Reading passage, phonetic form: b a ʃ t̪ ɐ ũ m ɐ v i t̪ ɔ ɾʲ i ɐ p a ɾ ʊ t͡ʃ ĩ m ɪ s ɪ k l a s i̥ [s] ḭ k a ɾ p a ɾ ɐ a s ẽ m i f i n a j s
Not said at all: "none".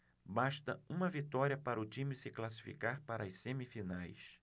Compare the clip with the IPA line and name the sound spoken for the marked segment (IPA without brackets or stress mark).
f